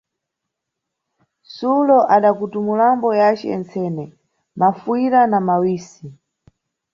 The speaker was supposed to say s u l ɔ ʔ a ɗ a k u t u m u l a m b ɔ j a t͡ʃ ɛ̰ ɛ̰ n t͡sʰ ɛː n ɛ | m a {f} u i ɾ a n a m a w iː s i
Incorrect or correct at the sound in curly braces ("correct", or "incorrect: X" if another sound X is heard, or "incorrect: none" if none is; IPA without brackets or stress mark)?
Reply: correct